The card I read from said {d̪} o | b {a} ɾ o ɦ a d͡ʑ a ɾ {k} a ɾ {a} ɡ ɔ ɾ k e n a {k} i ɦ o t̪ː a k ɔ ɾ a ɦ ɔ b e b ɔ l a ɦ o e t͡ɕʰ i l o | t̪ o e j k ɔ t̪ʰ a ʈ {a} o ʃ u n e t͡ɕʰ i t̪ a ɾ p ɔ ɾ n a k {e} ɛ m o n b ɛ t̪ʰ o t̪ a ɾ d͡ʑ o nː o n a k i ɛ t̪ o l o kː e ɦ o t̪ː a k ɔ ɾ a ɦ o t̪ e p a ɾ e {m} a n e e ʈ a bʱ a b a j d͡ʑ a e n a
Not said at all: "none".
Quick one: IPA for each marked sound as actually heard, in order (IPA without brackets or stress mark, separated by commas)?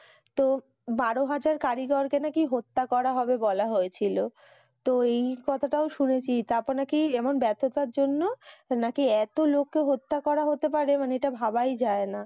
t̪, a, k, i, k, a, i, m